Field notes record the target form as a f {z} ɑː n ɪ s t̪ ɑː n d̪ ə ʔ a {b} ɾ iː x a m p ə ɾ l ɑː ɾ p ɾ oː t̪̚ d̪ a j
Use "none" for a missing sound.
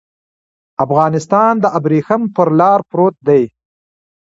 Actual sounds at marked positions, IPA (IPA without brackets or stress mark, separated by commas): ɣ, b